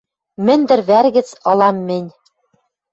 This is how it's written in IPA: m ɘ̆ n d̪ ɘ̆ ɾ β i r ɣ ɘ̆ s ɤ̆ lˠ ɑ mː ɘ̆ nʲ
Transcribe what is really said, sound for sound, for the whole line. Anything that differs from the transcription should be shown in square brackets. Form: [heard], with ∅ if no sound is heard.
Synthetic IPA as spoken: m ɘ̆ n d̪ ɘ̆ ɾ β [æ] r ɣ ɘ̆ [t͡s] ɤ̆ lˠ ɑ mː ɘ̆ nʲ